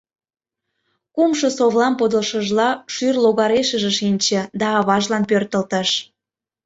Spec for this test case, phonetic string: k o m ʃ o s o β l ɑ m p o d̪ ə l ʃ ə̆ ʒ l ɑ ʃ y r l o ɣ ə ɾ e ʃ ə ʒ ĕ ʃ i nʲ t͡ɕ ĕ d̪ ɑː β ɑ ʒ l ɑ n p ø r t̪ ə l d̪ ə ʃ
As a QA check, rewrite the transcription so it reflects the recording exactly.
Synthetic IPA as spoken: k u m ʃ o s o β l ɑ m p o d̪ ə l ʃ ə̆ ʒ l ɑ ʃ y r l o ɣ ɑ ɾ e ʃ ə ʒ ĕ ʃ i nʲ t͡ɕ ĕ d̪ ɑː β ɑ ʒ l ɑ n p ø r t̪ ə l t̪ ə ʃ